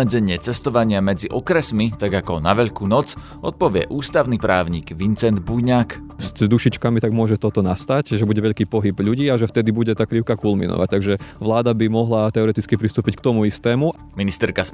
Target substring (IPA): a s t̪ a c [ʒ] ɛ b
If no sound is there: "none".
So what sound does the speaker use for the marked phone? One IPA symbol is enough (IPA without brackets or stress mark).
ʒ